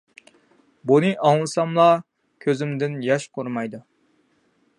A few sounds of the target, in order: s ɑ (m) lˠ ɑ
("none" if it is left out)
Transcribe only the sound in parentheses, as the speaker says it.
m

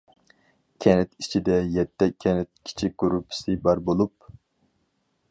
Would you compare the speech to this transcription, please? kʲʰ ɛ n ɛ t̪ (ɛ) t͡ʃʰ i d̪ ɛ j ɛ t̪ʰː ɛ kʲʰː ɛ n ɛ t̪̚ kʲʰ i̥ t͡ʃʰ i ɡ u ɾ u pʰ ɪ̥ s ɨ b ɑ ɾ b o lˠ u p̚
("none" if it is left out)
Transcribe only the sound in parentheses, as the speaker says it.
i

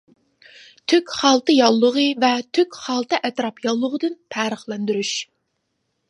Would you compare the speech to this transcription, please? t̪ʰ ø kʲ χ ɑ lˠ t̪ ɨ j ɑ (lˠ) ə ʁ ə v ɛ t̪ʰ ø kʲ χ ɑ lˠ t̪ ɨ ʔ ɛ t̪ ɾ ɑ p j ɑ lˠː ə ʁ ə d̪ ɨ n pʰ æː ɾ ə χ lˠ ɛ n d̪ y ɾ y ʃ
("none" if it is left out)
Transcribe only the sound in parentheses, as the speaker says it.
lˠː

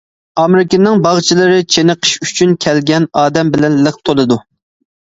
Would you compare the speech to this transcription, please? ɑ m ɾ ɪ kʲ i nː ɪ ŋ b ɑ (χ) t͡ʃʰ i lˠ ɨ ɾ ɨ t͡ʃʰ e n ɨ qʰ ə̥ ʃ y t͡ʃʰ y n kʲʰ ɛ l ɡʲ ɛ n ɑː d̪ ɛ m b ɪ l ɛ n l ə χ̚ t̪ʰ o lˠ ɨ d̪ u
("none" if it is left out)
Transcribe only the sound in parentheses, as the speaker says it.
ʁ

